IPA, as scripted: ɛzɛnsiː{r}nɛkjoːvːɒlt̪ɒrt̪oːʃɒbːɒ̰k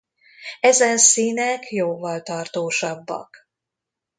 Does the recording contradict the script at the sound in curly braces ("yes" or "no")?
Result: yes